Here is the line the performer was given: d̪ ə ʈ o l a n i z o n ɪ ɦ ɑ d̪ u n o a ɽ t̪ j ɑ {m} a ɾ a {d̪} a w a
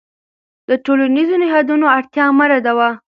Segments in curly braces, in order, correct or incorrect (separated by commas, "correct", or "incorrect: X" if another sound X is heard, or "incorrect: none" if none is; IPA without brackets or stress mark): correct, correct